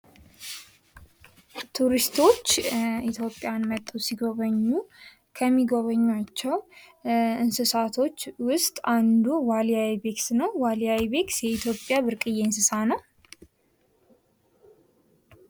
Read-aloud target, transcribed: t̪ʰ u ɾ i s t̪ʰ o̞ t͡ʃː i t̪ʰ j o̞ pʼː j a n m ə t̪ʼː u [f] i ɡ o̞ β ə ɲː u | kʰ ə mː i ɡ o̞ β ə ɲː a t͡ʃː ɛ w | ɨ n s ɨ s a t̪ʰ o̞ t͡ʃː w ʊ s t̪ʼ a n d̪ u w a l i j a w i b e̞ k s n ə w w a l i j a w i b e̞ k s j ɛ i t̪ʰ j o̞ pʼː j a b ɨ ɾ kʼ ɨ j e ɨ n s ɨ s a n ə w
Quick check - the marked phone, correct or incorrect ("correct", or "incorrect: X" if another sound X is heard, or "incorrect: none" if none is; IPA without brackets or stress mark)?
incorrect: s